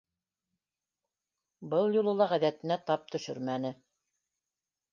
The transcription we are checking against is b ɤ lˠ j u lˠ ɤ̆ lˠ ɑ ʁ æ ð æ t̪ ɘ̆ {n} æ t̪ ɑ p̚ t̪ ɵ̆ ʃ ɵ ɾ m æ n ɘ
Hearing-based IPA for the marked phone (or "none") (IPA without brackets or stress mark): n